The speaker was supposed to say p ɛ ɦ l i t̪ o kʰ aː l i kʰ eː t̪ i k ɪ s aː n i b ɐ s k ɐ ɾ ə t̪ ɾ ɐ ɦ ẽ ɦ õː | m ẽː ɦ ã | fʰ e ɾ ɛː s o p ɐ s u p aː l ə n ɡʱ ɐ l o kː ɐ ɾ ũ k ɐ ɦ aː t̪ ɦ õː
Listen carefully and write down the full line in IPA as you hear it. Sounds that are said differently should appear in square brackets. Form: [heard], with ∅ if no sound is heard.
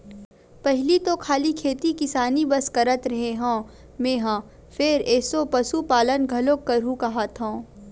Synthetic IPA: p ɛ ɦ l i t̪ o kʰ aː l i kʰ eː t̪ i k ɪ s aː n i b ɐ s k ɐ ɾ ə t̪ ɾ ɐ ɦ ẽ ɦ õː | m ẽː ɦ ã | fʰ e ɾ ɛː s o p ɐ s u p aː l ə n ɡʱ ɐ l o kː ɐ ɾ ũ k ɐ ɦ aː t̪ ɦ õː